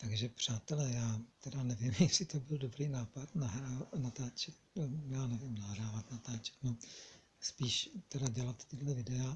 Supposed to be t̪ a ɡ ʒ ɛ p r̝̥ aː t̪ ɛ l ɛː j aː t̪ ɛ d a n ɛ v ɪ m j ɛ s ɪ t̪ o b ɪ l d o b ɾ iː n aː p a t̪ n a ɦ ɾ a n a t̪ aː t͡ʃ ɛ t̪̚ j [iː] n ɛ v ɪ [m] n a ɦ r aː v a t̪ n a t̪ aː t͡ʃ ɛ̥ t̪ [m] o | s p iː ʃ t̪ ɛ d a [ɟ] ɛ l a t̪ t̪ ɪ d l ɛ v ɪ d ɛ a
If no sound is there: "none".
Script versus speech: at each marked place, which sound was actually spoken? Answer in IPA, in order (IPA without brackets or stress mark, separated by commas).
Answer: aː, m, n, ɟ